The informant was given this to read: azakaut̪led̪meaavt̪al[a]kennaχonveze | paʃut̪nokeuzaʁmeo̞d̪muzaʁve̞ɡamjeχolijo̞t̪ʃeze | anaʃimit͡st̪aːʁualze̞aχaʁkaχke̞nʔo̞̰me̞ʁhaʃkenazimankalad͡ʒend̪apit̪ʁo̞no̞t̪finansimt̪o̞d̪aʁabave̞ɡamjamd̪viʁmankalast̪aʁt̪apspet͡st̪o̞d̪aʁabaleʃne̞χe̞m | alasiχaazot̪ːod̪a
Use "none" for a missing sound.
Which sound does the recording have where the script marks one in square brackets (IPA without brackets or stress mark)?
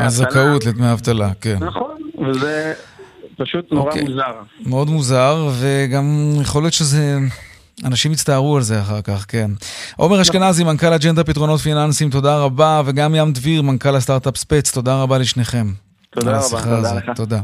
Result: a